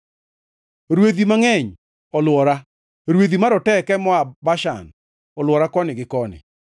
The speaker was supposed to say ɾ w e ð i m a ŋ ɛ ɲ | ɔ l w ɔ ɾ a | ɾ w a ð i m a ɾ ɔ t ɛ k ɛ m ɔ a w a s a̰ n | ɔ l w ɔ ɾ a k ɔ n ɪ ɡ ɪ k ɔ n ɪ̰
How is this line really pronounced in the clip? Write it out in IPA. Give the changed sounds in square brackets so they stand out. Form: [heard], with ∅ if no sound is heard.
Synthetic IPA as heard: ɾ w e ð i m a ŋ ɛ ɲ | ɔ l w ɔ ɾ a | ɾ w [e] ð i m a ɾ ɔ t ɛ k ɛ m ɔ a [b] a [ʃ] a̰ n | ɔ l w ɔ ɾ a k ɔ n ɪ ɡ ɪ k ɔ n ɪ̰